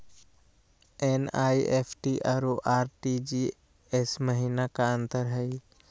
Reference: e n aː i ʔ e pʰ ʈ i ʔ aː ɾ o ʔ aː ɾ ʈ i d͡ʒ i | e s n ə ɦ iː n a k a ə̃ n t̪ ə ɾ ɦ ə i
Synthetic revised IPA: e n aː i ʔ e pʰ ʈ i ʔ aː ɾ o ʔ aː ɾ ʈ i d͡ʒ i | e s m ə ɦ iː n a k a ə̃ n t̪ ə ɾ ɦ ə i